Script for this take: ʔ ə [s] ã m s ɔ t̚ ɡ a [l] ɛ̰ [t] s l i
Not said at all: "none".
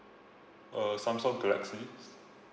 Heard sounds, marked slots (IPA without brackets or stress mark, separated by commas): s, l, k